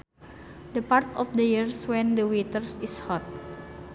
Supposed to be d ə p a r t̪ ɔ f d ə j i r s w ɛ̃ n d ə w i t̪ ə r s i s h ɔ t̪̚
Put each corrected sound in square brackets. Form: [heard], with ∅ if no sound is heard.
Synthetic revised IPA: d ə p a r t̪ ɔ f d ə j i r s w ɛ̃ n d ə w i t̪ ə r s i s h ɔ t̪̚